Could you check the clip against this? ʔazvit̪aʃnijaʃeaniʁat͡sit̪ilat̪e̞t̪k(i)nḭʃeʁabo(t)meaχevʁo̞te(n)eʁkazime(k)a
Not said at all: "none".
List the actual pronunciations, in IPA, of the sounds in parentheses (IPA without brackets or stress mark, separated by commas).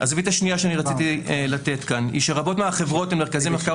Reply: a, t, m, k